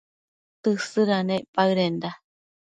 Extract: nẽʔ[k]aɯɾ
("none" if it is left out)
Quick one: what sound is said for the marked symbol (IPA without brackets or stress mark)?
p